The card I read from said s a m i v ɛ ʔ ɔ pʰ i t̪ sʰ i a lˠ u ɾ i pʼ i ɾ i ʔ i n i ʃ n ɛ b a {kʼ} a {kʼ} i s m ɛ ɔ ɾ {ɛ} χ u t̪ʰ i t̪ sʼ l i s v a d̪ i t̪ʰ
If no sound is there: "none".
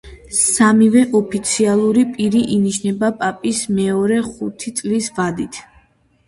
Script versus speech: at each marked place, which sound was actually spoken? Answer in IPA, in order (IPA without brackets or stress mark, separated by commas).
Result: pʼ, pʼ, ɛ